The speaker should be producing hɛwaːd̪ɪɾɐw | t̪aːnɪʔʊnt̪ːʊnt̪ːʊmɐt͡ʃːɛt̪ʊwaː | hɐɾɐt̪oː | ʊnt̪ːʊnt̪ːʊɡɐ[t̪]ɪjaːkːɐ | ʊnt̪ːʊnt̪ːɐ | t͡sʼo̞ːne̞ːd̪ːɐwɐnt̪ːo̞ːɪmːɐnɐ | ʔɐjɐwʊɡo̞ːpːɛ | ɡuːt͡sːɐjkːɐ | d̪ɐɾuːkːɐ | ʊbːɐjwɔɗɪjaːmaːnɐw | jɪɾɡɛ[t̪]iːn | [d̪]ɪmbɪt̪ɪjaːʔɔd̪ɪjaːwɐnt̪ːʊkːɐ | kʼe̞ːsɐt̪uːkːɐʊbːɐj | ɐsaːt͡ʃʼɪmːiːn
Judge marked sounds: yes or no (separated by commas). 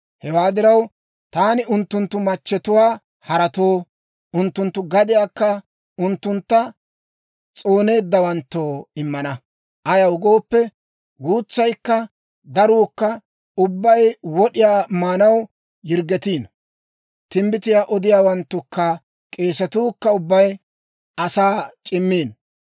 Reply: no, yes, no